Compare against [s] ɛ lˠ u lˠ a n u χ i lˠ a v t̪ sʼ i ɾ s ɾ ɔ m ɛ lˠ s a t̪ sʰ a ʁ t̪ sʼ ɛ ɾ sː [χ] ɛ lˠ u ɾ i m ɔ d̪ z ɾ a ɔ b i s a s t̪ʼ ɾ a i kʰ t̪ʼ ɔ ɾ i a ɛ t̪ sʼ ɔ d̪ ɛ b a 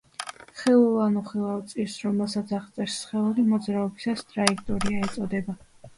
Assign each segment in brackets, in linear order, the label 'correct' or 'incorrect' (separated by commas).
incorrect, correct